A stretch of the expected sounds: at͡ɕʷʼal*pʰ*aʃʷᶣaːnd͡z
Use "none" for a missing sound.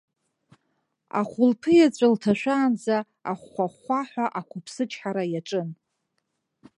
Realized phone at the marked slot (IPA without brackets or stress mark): tʰ